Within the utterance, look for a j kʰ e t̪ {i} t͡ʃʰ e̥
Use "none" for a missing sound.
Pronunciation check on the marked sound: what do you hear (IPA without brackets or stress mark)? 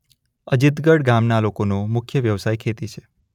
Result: i